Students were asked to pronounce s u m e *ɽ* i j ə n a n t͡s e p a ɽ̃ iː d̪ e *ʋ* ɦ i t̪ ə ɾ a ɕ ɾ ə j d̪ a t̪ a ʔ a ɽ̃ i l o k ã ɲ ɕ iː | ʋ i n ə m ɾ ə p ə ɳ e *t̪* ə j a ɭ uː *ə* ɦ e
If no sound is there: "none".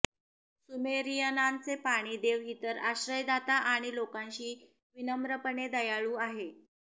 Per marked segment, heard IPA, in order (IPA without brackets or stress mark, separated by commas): ɾ, ʋ, d̪, a